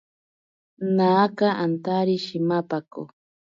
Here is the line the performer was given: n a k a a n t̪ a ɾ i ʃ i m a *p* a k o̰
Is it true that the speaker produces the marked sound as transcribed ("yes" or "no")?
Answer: yes